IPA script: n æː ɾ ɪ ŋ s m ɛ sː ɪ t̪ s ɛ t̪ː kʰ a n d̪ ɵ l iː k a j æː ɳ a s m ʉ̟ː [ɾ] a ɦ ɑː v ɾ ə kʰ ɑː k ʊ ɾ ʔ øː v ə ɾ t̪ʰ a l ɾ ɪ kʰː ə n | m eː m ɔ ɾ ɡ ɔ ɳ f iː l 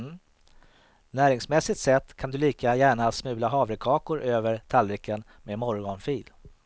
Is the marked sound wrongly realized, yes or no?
yes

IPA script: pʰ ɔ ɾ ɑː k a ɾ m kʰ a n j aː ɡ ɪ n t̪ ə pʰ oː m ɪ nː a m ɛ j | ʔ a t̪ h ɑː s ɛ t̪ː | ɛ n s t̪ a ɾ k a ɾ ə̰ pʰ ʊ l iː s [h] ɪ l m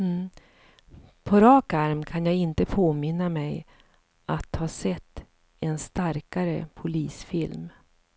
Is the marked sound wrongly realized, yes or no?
yes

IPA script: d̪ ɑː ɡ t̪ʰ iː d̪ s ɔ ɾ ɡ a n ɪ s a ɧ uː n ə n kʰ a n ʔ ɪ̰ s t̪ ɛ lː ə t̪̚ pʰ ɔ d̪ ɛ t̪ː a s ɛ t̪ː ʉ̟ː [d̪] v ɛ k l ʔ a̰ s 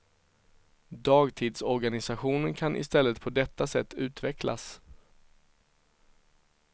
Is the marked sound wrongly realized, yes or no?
yes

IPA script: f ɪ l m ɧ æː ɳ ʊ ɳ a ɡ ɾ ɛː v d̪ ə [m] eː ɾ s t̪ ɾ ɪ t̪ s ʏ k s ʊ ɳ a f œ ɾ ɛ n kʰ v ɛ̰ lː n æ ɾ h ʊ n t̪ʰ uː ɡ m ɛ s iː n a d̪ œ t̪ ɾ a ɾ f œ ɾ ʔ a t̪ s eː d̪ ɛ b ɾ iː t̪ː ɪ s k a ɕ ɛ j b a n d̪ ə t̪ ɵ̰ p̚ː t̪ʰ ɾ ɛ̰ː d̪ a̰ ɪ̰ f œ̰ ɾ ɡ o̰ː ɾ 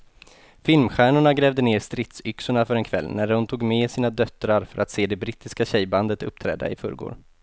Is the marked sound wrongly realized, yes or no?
yes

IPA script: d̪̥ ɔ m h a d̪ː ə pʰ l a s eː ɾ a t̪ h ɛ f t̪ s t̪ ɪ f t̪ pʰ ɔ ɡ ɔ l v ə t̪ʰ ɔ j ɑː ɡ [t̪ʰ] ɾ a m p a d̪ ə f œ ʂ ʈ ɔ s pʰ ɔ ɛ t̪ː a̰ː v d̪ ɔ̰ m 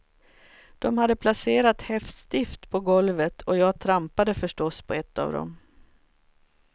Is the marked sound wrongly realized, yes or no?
no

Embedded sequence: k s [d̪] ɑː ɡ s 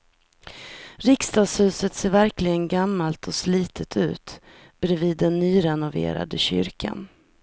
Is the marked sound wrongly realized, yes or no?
yes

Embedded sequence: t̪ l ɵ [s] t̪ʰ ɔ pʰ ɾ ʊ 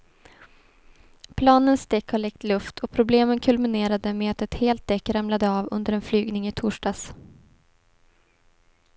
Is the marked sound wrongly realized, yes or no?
yes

